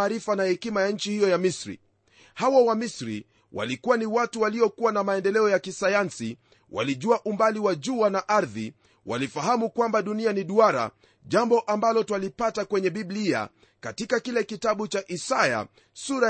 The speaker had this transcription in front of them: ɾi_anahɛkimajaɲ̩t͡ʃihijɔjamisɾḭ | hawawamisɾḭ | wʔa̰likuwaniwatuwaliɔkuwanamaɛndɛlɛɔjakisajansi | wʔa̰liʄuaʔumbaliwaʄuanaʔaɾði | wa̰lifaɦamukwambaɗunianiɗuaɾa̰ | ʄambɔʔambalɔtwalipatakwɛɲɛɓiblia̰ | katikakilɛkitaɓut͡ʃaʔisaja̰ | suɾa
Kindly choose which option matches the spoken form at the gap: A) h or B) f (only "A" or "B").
B